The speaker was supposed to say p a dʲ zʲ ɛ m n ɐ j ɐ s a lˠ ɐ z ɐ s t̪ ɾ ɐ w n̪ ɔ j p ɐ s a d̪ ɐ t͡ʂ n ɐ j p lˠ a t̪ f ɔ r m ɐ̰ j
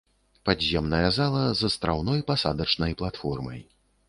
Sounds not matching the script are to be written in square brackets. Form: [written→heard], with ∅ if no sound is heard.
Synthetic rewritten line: p a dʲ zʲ ɛ m n ɐ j ɐ [s→z] a lˠ ɐ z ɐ s t̪ ɾ [ɐ→a] w n̪ ɔ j p [ɐ→a] s a d̪ ɐ t͡ʂ n ɐ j p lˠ a t̪ f ɔ r m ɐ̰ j

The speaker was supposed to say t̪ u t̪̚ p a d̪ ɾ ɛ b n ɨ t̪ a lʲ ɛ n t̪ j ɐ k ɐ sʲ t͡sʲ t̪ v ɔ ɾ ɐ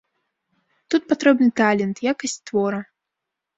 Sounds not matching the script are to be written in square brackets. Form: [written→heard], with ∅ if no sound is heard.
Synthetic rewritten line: t̪ u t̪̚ p a [d̪→t̪] ɾ ɛ b n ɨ t̪ a lʲ ɛ n t̪ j [ɐ→a] k ɐ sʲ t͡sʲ t̪ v ɔ ɾ ɐ

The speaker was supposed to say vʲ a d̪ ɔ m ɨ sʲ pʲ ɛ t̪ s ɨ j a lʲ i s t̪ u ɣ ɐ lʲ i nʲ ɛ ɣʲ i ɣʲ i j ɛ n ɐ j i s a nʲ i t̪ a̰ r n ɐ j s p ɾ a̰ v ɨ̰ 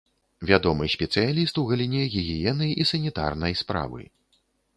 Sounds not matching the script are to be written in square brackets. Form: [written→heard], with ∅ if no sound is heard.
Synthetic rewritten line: vʲ a d̪ ɔ m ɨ sʲ pʲ ɛ t̪ s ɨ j a lʲ i s t̪ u ɣ ɐ lʲ i nʲ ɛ ɣʲ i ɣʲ i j ɛ n ɐ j i s [a→ɐ] nʲ i t̪ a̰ r n ɐ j s p ɾ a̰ v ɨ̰

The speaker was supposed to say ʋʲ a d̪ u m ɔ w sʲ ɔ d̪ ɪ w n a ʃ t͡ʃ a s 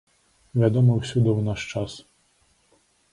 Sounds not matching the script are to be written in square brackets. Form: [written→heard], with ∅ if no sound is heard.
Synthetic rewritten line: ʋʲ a d̪ [u→ɔ] m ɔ w sʲ [ɔ→u] d̪ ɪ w n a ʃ t͡ʃ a s

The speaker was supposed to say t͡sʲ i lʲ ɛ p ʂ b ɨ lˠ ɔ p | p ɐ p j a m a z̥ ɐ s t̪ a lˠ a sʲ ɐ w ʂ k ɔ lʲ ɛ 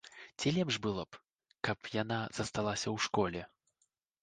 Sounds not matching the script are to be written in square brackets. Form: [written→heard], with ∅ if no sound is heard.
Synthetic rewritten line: t͡sʲ i lʲ ɛ p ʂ b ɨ lˠ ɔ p | [p→k] ɐ p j a [m→n] a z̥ ɐ s t̪ a lˠ a sʲ ɐ w ʂ k ɔ lʲ ɛ

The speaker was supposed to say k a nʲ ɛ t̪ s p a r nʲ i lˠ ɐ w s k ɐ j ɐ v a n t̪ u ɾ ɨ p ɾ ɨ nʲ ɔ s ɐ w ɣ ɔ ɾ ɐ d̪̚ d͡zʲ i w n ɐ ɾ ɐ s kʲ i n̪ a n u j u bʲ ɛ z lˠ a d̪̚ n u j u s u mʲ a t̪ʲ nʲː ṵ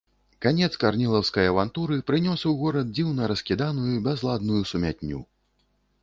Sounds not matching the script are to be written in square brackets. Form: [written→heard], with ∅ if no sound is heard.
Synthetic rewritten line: k a nʲ ɛ t̪ s [p→k] a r nʲ i lˠ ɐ w s k ɐ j ɐ v a n t̪ u ɾ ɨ p ɾ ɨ nʲ ɔ s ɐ w ɣ ɔ ɾ ɐ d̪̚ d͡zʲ i w n ɐ ɾ ɐ s kʲ i [n̪→d̪] a n u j u bʲ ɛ z lˠ a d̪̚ n u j u s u mʲ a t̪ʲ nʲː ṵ

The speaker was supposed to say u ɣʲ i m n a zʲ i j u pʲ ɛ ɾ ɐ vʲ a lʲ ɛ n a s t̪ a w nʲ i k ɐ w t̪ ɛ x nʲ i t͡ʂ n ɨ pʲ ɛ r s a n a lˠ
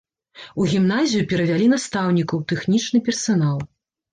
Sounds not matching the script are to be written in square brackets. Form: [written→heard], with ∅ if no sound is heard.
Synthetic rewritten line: u ɣʲ i m n a zʲ i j u pʲ ɛ ɾ ɐ vʲ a lʲ [ɛ→i] n a s t̪ a w nʲ i k ɐ w t̪ ɛ x nʲ i t͡ʂ n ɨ pʲ ɛ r s a n a lˠ

